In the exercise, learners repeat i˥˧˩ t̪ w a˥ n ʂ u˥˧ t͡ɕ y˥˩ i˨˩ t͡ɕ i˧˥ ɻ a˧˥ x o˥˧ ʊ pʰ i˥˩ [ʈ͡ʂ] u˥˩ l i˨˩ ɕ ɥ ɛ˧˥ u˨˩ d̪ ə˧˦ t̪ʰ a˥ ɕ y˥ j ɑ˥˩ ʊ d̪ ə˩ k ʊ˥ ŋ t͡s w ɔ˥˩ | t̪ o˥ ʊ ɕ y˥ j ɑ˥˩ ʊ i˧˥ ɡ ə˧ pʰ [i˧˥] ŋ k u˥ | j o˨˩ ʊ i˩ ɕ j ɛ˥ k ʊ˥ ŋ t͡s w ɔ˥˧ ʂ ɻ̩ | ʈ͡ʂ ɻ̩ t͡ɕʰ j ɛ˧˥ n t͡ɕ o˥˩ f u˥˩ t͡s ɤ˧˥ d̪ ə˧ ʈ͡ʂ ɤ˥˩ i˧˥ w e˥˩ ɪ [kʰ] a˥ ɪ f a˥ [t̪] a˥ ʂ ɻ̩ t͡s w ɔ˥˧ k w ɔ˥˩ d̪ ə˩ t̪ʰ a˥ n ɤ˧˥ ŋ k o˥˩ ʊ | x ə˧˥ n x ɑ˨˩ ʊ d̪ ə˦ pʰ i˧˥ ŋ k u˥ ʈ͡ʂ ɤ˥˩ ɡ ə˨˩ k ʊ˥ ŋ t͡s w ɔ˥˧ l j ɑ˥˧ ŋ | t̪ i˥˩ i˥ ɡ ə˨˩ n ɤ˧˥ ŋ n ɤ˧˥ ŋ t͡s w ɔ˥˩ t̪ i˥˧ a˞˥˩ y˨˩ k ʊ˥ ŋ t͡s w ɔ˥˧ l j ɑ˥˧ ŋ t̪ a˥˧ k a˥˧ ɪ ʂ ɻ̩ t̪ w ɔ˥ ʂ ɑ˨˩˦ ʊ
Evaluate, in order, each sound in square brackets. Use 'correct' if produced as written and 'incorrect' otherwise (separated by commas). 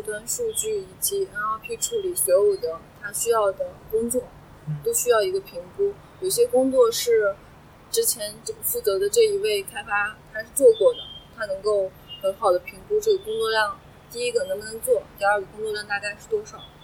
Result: incorrect, correct, correct, incorrect